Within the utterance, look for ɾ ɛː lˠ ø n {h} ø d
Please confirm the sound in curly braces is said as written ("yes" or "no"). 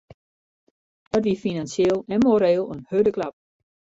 yes